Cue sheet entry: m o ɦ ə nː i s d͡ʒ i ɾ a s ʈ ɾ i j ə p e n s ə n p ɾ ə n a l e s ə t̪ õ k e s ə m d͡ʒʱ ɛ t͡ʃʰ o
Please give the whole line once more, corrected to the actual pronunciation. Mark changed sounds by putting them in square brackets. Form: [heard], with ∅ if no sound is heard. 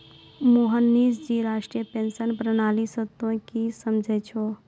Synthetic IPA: m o ɦ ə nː i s d͡ʒ i ɾ a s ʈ ɾ i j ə p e n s ə n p ɾ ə n a l [i] s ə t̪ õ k [i] s ə m d͡ʒʱ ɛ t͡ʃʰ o